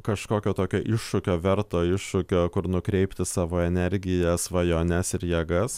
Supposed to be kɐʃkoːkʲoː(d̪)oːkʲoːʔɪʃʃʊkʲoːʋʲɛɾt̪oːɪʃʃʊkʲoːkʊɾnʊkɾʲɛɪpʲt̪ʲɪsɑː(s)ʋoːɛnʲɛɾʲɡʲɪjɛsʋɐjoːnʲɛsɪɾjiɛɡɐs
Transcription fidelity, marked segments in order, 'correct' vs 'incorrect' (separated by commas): incorrect, incorrect